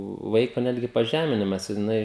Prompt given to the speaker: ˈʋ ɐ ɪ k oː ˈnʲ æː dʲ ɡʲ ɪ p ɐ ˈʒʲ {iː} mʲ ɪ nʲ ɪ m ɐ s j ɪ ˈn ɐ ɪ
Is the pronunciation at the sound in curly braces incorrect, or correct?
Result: incorrect